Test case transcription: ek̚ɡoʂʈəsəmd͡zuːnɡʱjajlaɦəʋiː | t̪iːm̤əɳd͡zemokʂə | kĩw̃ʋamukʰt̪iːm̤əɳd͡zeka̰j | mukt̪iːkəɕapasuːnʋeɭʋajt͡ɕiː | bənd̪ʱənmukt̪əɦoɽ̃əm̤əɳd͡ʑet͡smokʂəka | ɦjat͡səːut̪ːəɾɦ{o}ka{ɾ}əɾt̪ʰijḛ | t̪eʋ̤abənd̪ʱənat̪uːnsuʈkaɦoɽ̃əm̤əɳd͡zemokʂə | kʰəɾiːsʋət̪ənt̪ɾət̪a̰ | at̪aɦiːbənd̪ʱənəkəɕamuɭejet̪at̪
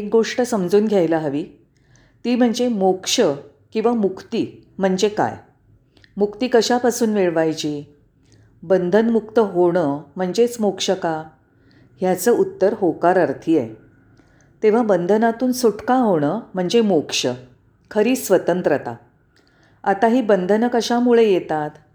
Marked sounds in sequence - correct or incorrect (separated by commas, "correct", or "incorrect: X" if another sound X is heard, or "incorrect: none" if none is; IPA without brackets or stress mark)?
correct, correct